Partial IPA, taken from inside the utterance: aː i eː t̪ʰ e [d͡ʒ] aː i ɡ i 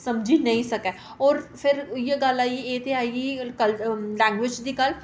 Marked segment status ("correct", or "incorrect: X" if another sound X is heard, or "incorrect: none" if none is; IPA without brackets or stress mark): incorrect: none